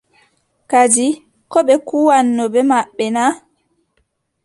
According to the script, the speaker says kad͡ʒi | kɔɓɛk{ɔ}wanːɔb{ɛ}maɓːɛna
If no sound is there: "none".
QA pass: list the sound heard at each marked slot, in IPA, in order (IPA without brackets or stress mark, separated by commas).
u, ɛ